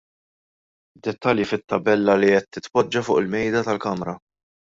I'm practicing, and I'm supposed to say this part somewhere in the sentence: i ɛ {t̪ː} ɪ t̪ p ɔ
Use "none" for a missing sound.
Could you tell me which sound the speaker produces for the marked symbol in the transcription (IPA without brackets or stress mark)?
t̪ː